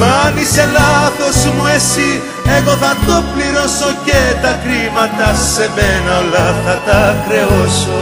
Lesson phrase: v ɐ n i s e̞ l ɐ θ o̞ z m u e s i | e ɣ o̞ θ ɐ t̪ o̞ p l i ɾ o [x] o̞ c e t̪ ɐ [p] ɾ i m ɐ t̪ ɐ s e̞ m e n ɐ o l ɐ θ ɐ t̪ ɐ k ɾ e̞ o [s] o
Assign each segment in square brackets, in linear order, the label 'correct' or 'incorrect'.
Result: incorrect: s, incorrect: k, correct

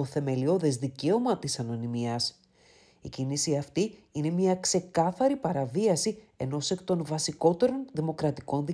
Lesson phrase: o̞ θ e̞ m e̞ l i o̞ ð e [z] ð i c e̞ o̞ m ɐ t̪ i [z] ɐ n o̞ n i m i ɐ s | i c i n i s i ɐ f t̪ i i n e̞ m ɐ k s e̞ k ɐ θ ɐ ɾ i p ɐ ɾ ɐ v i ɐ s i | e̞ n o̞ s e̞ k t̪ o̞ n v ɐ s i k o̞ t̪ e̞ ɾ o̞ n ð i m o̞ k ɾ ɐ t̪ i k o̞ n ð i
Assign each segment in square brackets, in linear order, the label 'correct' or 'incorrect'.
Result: correct, incorrect: s

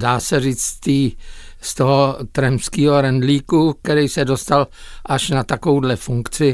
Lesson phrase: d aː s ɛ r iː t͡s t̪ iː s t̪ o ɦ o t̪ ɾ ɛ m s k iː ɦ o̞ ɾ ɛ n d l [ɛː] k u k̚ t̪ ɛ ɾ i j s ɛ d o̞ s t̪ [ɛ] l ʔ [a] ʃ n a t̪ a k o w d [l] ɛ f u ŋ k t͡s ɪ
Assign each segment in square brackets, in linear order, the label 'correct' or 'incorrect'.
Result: incorrect: iː, incorrect: a, correct, correct

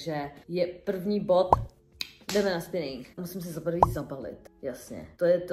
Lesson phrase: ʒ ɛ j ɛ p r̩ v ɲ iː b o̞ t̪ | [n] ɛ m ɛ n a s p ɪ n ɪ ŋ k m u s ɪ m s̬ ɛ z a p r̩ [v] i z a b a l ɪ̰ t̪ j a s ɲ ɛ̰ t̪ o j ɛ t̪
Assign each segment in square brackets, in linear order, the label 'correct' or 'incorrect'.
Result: incorrect: d, correct

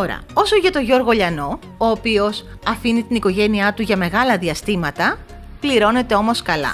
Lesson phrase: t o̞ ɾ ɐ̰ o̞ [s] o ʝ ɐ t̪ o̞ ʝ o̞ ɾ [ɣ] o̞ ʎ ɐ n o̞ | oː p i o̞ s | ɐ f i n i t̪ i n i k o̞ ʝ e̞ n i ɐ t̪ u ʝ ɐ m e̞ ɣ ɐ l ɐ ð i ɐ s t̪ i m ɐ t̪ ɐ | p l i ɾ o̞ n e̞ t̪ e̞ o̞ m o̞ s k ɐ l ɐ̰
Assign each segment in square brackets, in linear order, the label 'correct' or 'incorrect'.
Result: correct, correct

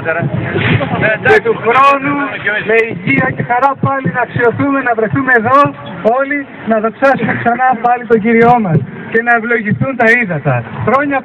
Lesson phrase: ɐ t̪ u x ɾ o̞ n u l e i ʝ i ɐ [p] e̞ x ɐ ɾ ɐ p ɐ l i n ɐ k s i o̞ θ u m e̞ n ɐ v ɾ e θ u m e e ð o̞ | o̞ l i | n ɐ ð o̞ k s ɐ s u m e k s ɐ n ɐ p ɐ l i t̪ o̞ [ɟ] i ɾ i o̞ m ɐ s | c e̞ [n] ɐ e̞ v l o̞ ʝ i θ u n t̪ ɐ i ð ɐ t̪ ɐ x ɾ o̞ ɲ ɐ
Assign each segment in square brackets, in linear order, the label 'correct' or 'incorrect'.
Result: incorrect: c, correct, correct

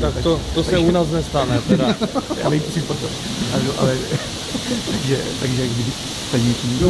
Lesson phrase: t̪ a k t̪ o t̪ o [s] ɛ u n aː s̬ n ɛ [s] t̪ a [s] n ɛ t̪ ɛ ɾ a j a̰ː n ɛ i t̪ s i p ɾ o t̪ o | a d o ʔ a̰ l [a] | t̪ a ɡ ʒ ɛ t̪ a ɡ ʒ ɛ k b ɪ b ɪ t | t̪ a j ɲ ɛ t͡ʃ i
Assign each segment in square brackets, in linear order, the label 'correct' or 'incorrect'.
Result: correct, correct, incorrect: none, incorrect: ɛ

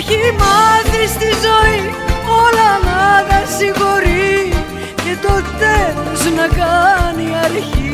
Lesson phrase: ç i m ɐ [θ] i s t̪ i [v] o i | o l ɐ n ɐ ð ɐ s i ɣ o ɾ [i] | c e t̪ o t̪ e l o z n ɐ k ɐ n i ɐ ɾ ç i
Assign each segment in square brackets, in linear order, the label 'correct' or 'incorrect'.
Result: correct, incorrect: z, correct

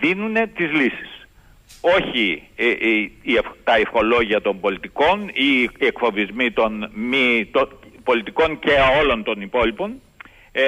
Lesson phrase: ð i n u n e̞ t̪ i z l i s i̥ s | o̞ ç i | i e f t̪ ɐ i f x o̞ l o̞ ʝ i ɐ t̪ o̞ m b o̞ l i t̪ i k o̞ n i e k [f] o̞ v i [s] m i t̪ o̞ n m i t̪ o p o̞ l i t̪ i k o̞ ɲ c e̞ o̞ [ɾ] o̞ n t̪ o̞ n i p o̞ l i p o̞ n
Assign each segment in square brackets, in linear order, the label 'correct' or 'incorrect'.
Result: correct, incorrect: z, incorrect: l

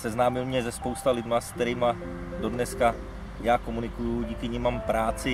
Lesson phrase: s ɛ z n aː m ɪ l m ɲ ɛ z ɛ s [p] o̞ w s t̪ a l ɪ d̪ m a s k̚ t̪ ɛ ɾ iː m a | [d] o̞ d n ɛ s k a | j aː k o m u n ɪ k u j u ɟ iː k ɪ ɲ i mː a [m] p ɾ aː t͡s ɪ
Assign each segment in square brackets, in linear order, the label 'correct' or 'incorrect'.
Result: correct, correct, correct

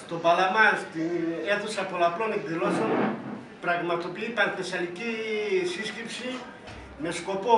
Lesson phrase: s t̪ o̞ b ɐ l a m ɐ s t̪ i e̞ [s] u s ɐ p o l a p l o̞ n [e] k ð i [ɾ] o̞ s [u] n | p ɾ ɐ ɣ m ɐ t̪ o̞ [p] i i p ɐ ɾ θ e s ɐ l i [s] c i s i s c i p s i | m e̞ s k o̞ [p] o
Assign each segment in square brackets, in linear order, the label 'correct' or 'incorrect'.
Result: incorrect: θ, correct, incorrect: l, incorrect: o, correct, incorrect: none, correct

